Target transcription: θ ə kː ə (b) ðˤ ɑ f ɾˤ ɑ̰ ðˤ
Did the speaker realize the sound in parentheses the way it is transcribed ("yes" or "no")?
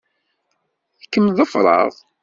no